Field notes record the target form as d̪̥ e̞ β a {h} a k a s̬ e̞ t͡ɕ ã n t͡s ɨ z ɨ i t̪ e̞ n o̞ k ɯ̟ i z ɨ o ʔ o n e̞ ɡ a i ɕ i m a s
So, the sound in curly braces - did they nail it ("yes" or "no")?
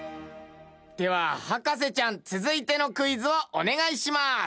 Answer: yes